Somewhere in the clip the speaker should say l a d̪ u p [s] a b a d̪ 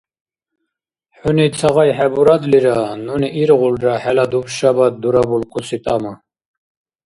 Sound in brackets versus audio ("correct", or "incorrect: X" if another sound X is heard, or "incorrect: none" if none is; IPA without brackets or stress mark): incorrect: ʃ